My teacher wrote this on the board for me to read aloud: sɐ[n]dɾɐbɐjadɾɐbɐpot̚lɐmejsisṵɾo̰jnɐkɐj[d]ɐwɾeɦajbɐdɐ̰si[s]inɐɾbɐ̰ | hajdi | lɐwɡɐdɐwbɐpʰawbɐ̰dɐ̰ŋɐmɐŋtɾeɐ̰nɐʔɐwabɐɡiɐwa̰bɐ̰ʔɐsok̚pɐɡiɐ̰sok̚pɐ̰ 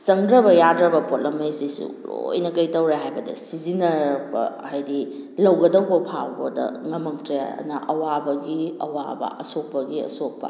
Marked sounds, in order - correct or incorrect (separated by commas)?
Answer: incorrect, incorrect, incorrect